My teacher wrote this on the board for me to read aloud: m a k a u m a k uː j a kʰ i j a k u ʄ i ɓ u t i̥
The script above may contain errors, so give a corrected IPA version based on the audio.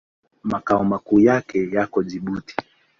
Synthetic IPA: m a k a ɔ m a k uː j a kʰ ɛ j a k ɔ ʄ i ɓ u t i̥